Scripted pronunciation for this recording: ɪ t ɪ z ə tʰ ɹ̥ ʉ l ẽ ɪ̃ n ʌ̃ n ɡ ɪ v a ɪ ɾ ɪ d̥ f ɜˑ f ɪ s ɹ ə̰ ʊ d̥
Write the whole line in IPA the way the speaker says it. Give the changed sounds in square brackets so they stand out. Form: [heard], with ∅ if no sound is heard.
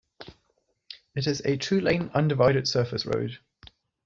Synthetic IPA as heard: ɪ t ɪ z ə tʰ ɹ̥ [ʉː] l ẽ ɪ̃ n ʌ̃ n [d] ɪ v a ɪ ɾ ɪ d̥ [s] ɜˑ f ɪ s ɹ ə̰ ʊ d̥